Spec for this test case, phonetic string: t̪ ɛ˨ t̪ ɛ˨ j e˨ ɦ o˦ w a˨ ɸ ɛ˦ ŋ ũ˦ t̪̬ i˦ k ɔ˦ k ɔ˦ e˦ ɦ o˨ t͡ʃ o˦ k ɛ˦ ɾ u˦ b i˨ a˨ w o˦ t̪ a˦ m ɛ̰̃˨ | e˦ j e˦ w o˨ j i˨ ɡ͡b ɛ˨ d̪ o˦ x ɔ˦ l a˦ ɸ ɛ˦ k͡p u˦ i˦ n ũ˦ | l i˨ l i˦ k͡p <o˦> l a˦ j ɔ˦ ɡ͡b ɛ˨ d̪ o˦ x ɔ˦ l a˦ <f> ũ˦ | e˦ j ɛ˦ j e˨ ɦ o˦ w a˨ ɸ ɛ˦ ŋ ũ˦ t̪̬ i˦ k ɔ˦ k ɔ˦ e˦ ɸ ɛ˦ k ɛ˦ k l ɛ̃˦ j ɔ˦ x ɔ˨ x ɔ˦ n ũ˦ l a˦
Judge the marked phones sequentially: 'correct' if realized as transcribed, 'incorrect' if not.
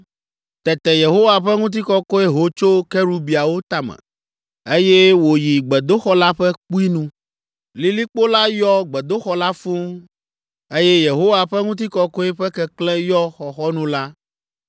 correct, correct

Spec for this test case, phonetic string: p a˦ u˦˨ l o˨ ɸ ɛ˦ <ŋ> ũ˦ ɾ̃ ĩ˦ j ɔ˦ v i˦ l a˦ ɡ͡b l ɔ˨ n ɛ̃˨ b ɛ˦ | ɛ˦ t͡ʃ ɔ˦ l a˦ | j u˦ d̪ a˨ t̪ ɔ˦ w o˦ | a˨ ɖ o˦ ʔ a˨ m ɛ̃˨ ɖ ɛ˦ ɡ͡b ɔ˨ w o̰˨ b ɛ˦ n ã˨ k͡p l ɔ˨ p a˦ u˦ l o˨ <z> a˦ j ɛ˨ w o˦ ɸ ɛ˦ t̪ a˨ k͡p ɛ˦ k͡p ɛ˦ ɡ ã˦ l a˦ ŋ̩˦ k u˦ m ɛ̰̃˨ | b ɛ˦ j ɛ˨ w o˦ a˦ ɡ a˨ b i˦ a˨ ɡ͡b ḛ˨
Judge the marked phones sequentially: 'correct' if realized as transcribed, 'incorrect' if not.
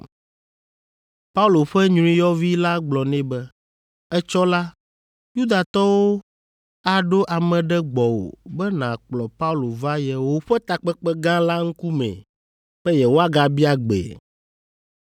incorrect, incorrect

